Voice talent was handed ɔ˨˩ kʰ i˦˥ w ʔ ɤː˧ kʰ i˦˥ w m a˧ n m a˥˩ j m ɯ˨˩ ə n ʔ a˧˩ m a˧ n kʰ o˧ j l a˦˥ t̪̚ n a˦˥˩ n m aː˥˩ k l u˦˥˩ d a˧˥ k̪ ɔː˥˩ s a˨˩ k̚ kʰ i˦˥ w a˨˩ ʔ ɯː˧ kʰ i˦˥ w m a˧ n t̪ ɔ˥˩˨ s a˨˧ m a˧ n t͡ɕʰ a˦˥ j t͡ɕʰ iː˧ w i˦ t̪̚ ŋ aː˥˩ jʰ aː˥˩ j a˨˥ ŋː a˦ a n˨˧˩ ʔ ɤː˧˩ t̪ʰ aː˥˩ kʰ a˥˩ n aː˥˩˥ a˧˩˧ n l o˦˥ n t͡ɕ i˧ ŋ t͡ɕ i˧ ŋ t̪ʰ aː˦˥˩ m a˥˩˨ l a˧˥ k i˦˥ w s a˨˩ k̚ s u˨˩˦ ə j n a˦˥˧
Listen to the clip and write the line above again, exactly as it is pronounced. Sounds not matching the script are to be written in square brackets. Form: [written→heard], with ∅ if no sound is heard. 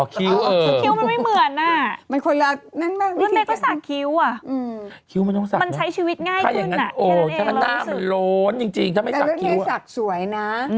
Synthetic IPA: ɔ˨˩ kʰ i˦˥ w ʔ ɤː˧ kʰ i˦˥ w m a˧ n m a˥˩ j m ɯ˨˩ ə n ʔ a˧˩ m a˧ n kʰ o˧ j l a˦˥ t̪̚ n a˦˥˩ n m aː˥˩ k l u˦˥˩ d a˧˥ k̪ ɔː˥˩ s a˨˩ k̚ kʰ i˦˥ w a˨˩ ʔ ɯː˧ kʰ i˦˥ w m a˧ n t̪ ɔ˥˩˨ s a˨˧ m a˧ n t͡ɕʰ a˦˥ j t͡ɕʰ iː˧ w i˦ t̪̚ ŋ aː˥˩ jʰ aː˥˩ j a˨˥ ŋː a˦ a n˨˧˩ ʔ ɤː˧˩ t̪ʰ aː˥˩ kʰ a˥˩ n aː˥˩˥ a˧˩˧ n l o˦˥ n t͡ɕ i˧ ŋ t͡ɕ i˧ ŋ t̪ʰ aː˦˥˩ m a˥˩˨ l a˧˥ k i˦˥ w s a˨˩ k̚ s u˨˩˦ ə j n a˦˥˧